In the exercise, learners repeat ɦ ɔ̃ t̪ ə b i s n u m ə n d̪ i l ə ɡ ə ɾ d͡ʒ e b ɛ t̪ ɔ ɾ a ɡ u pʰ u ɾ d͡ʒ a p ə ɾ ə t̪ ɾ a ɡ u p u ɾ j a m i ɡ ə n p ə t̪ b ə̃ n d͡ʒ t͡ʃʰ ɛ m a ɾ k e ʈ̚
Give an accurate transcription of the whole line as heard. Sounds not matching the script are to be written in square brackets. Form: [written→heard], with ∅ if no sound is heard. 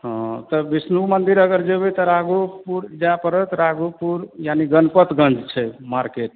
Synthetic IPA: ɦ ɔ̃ t̪ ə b i s n u m ə n d̪ i [l→ɾ] ə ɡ ə ɾ d͡ʒ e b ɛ t̪ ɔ ɾ a ɡ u [pʰ→p] u ɾ d͡ʒ a p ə ɾ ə t̪ ɾ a ɡ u p u ɾ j a [m→n] i ɡ ə n p ə t̪ [b→ɡ] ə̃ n d͡ʒ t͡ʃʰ ɛ m a ɾ k e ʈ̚

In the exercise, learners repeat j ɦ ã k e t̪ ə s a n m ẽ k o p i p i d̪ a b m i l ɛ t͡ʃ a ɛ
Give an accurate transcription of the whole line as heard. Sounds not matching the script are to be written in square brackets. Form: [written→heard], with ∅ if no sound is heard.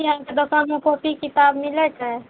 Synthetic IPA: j ɦ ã k e [t̪→d̪] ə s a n m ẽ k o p i [p→k] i [d̪→t̪] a b m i l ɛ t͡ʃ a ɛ

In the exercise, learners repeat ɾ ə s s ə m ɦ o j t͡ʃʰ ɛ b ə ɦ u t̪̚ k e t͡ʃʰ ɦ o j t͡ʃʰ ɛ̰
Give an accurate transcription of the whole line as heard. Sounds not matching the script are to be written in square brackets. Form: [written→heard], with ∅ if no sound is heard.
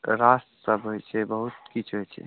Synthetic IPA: ɾ [ə→a] s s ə [m→b] ɦ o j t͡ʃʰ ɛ b ə ɦ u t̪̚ k [e→i] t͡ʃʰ ɦ o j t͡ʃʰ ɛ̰

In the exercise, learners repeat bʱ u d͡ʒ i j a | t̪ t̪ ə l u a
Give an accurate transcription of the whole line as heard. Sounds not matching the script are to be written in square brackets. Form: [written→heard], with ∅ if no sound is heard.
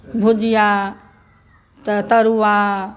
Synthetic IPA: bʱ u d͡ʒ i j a | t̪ t̪ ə [l→ɾ] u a

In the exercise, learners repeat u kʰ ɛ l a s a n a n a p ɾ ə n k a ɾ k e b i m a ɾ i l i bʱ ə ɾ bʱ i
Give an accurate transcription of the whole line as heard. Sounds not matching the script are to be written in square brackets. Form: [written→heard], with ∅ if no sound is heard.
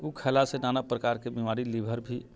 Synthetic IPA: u kʰ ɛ l a s [a→e] n a n a p ɾ ə [n→∅] k a ɾ k e b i m a ɾ i l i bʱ ə ɾ bʱ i

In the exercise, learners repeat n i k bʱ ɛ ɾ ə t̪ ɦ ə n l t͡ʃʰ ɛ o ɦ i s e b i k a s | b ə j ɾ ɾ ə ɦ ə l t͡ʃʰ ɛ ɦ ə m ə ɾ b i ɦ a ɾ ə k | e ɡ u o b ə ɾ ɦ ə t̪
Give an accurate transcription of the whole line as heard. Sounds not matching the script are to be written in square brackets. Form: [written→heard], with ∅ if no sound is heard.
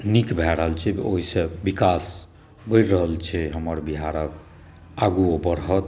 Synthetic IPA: n i k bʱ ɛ ɾ ə [t̪→∅] ɦ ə [n→∅] l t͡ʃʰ ɛ o ɦ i s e b i k a s | b ə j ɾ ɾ ə ɦ ə l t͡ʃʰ ɛ ɦ ə m ə ɾ b i ɦ a ɾ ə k | [e→a] ɡ u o b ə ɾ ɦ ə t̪

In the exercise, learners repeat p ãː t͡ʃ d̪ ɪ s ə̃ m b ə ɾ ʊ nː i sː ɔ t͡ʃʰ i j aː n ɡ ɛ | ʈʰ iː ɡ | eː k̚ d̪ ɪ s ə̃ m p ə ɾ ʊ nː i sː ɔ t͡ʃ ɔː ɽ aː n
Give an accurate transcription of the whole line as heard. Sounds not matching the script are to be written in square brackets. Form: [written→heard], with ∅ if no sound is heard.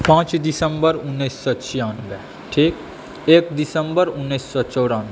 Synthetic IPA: p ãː t͡ʃ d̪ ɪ s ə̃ m b ə ɾ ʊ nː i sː ɔ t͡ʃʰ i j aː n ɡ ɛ | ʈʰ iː [ɡ→k] | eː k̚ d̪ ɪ s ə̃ m [p→b] ə ɾ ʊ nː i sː ɔ t͡ʃ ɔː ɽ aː n

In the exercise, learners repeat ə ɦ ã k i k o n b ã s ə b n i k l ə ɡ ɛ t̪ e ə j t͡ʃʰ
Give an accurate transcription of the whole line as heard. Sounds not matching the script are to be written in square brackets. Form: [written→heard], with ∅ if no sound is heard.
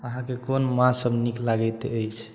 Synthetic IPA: ə ɦ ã k [i→e] k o n [b→m] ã s ə b n i k l [ə→a] ɡ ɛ t̪ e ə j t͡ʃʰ

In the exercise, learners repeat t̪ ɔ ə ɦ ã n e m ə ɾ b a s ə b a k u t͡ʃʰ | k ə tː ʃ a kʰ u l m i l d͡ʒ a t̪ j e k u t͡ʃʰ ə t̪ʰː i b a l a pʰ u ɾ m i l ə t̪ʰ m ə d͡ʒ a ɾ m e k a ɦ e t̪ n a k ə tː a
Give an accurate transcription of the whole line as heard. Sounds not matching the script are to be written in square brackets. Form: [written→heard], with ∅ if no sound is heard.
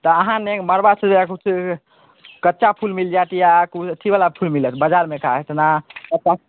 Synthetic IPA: t̪ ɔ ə ɦ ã n e m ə ɾ b a s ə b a k u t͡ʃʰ | k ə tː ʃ a [kʰ→pʰ] u l m i l d͡ʒ a t̪ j [e→a] k u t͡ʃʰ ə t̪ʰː i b a l a pʰ u [ɾ→l] m i l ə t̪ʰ [m→b] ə d͡ʒ a ɾ m e k a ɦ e t̪ n a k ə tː a

